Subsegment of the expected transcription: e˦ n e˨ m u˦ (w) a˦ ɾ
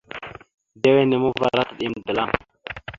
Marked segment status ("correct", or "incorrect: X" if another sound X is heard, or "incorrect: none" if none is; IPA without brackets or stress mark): incorrect: v